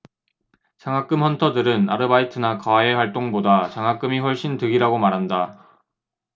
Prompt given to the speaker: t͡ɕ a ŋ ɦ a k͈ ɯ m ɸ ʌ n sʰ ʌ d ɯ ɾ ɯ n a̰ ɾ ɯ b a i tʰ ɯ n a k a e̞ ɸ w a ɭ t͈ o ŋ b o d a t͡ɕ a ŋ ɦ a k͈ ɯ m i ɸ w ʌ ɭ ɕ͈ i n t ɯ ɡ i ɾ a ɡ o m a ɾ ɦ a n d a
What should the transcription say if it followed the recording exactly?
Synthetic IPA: t͡ɕ a ŋ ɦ a k͈ ɯ m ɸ ʌ n tʰ ʌ d ɯ ɾ ɯ n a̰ ɾ ɯ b a i tʰ ɯ n a k a e̞ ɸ w a ɭ t͈ o ŋ b o d a t͡ɕ a ŋ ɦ a k͈ ɯ m i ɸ w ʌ ɭ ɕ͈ i n t ɯ ɡ i ɾ a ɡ o m a ɾ ɦ a n d a